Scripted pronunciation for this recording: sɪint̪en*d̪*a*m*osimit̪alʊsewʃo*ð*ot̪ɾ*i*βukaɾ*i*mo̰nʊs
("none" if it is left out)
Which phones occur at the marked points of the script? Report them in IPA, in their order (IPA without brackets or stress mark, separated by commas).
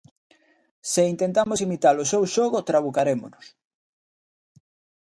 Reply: t̪, m, ɣ, a, e